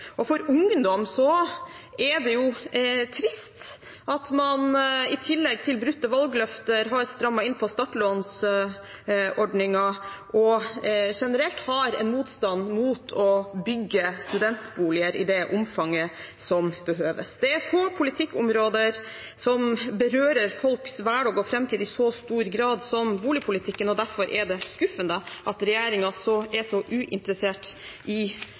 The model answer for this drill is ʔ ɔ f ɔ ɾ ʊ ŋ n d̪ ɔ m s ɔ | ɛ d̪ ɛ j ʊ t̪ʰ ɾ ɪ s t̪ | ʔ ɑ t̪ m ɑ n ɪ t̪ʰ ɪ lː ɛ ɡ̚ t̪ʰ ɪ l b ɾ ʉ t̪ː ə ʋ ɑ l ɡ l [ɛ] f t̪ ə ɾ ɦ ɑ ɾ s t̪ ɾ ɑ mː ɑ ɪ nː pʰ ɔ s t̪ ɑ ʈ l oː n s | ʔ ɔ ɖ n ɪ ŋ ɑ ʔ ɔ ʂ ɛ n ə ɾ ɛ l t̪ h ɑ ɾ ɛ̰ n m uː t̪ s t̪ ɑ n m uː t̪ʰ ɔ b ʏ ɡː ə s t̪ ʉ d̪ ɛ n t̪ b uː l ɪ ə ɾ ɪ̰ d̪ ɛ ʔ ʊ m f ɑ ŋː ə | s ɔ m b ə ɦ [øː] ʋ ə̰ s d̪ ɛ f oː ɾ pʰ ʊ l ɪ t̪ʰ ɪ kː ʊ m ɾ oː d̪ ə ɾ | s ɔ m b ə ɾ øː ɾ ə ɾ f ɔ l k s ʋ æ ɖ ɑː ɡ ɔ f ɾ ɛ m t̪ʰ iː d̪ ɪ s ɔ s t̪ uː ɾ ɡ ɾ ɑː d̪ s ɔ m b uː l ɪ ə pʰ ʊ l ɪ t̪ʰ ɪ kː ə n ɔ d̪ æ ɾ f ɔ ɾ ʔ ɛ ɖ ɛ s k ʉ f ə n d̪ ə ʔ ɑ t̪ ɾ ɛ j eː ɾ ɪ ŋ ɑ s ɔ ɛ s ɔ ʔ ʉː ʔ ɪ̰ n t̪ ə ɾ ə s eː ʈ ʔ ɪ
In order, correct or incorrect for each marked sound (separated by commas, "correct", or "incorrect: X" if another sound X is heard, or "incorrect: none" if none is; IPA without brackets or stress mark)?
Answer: incorrect: œ, correct